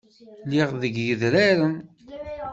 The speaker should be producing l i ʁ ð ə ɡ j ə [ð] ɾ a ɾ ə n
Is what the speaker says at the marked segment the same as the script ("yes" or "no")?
yes